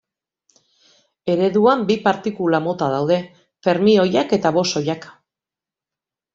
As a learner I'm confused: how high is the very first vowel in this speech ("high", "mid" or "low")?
mid